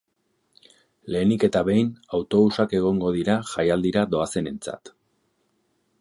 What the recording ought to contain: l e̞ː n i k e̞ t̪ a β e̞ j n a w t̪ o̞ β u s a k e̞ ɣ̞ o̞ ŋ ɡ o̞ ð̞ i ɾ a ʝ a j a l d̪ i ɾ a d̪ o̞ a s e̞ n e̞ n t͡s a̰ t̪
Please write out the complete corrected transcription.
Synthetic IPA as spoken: l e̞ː n i k e̞ t̪ a β e̞ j n a w t̪ o̞ β u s a k e̞ ɣ̞ o̞ ŋ ɡ o̞ ð̞ i ɾ a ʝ a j a l d̪ i ɾ a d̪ o̞ a s e̞ n e̞ n t͡s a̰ t̪